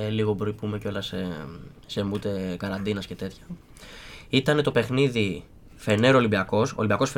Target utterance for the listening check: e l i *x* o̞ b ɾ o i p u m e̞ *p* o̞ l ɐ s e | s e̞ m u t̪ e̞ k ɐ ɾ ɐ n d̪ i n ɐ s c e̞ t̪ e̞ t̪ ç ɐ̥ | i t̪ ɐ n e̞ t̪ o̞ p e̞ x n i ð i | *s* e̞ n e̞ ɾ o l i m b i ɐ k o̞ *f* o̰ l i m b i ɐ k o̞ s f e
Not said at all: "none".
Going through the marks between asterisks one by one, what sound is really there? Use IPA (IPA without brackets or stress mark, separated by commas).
ɣ, c, f, s